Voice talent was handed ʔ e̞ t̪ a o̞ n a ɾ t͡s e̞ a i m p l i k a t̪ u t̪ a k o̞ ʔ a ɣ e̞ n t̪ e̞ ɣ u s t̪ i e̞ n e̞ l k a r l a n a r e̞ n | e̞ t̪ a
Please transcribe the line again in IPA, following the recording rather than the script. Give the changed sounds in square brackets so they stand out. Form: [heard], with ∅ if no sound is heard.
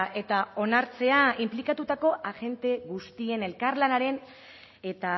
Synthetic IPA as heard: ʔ e̞ t̪ a o̞ n a ɾ t͡s e̞ a i m p l i k a t̪ u t̪ a k o̞ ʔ a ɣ e̞ n t̪ e̞ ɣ u s t̪ i e̞ n e̞ l k a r l a n a [ɾ] e̞ n | e̞ t̪ a